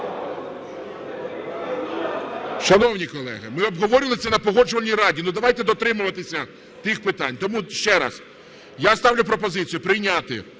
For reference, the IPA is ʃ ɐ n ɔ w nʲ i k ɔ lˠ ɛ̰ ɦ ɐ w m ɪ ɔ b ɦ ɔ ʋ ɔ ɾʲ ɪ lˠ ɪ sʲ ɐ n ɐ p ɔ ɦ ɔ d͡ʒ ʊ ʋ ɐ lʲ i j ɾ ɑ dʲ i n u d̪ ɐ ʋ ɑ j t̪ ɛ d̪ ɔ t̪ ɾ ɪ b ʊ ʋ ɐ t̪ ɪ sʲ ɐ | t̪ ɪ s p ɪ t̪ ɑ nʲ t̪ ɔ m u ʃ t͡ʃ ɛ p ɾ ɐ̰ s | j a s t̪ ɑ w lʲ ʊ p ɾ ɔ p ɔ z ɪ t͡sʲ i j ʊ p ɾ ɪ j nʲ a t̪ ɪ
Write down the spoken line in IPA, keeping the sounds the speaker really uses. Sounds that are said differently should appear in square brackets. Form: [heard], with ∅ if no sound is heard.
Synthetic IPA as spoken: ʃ ɐ n ɔ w nʲ i k ɔ lˠ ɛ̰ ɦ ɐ [∅] m ɪ ɔ b ɦ ɔ ʋ ɔ ɾʲ ɪ lˠ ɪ sʲ ɐ n ɐ p ɔ ɦ ɔ d͡ʒ ʊ ʋ ɐ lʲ i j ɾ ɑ dʲ i n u d̪ ɐ ʋ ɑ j t̪ ɛ d̪ ɔ t̪ ɾ ɪ [m] ʊ ʋ ɐ t̪ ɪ sʲ ɐ | t̪ ɪ [x] p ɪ t̪ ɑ nʲ t̪ ɔ m u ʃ t͡ʃ ɛ [∅] ɾ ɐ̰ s | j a s t̪ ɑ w lʲ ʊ p ɾ ɔ p ɔ z ɪ t͡sʲ i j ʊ p ɾ ɪ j nʲ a t̪ ɪ